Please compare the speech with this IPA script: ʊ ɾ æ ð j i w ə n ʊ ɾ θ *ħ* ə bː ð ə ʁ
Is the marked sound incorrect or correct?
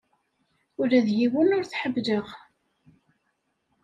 correct